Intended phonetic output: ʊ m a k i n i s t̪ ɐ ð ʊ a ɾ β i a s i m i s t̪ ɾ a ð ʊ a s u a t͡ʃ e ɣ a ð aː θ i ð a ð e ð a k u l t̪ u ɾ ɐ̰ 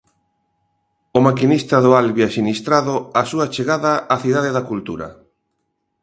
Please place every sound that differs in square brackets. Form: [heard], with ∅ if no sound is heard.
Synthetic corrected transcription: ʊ m a k i n i s t̪ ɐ ð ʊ a [l] β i a s i [n] i s t̪ ɾ a ð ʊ a s u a t͡ʃ e ɣ a ð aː θ i ð a ð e ð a k u l t̪ u ɾ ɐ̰